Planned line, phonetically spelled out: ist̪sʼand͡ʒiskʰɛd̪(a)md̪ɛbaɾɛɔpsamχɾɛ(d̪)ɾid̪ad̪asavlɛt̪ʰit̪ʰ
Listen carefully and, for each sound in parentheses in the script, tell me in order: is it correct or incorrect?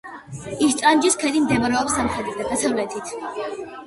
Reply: incorrect, correct

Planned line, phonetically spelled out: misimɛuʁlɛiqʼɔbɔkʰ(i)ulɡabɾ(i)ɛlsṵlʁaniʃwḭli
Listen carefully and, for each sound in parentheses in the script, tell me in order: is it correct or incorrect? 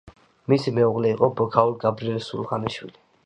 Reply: incorrect, correct

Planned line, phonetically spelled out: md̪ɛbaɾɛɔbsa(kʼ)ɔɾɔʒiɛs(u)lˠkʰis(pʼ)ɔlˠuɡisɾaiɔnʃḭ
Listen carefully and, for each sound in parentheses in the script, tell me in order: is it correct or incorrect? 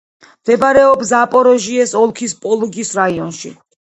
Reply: incorrect, incorrect, correct

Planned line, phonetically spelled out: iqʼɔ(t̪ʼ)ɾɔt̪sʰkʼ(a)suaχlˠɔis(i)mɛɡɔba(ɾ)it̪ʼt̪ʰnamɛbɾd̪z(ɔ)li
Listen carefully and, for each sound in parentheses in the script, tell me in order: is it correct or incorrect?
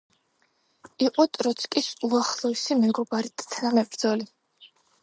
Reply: correct, incorrect, correct, correct, correct

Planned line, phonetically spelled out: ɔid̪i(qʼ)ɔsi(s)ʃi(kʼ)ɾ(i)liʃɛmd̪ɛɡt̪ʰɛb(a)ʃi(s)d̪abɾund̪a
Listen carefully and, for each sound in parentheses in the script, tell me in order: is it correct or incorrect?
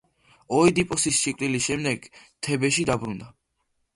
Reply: incorrect, correct, correct, correct, incorrect, incorrect

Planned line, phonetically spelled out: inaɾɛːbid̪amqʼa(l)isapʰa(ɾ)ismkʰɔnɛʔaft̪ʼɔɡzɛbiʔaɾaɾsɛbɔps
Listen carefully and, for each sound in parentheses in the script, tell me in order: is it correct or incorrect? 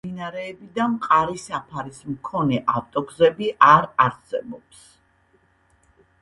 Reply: incorrect, correct

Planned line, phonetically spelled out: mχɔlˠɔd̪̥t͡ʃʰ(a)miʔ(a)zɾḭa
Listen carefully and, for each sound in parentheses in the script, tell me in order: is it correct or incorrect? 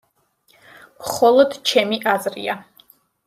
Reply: incorrect, correct

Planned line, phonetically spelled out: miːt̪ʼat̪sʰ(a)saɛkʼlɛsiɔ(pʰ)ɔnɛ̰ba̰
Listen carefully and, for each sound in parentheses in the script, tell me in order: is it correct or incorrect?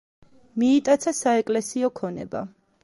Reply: correct, incorrect

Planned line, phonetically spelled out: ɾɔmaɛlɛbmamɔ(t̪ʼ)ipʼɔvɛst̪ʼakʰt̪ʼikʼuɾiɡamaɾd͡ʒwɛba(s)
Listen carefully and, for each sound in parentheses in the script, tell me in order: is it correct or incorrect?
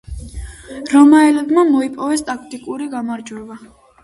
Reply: incorrect, incorrect

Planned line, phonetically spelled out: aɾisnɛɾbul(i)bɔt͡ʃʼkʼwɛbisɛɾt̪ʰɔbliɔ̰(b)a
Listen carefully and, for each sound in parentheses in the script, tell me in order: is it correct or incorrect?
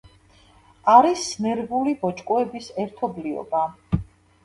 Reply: correct, correct

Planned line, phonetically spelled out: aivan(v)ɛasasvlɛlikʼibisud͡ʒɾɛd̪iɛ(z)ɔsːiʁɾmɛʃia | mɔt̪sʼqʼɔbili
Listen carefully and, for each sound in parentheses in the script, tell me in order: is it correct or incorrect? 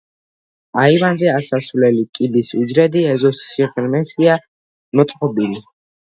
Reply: incorrect, correct

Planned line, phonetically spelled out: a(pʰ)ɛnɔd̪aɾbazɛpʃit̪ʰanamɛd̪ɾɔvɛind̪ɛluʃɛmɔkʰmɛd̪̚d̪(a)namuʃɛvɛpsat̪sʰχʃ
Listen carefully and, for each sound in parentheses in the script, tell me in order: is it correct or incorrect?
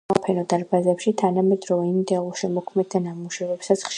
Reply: correct, correct

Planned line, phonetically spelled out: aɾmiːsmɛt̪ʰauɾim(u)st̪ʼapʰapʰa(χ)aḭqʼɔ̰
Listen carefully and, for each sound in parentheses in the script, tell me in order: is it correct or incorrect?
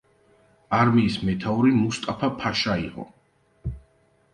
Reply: correct, incorrect

